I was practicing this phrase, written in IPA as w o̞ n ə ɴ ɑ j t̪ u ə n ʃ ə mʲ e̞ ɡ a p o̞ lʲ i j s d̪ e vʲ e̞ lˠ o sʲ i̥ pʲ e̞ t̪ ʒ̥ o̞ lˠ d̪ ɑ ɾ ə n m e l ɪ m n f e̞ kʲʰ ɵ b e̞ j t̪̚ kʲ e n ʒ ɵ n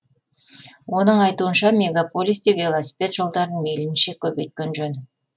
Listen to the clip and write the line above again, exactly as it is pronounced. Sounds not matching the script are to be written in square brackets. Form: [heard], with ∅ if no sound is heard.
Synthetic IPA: w o̞ n ə ɴ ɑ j t̪ u ə n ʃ [ɑ] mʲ e̞ ɡ a p o̞ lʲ i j s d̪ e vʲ e̞ lˠ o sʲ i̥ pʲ e̞ t̪ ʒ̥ o̞ lˠ d̪ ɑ ɾ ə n m e l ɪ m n [ʃ] e̞ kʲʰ ɵ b e̞ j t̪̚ kʲ e n ʒ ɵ n